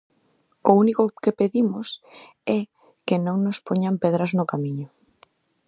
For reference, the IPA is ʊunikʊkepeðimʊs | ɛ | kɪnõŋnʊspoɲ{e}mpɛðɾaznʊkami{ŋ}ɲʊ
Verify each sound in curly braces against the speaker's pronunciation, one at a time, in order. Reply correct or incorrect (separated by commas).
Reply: incorrect, incorrect